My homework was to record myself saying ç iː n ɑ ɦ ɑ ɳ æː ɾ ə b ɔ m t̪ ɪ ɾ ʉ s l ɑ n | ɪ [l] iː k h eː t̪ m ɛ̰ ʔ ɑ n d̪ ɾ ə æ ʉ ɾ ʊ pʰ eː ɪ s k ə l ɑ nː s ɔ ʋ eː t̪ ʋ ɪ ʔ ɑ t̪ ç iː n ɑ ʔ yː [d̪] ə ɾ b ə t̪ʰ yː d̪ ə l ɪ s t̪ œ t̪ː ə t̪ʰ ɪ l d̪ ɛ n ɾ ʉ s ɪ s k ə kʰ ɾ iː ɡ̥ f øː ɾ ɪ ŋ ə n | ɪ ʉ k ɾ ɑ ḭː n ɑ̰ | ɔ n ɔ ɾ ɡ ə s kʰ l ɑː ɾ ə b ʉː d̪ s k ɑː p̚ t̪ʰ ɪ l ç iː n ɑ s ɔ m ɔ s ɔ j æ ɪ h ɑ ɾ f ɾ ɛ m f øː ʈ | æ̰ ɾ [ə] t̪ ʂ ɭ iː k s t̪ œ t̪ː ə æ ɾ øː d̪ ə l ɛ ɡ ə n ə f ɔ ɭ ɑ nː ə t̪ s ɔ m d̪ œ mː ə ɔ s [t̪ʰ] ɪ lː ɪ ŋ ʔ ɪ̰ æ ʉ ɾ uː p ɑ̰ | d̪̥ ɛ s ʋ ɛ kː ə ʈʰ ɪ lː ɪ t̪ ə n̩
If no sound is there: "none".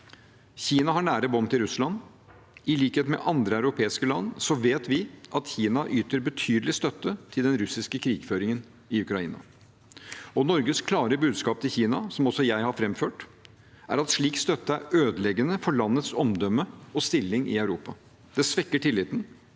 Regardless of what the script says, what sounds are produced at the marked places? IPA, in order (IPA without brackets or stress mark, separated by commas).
l, t̪, ɑ, t̪